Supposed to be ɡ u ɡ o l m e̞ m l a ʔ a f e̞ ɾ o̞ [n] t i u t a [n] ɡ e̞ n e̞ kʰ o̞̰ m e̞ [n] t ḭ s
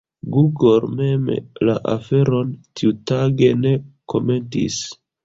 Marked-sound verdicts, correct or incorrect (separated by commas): correct, incorrect, correct